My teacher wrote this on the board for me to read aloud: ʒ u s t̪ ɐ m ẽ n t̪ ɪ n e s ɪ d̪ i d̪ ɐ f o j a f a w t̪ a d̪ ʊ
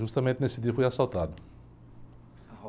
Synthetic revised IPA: ʒ u s t̪ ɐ m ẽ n t̪ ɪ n e s ɪ d̪ i ɐ f o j a s a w t̪ a d̪ ʊ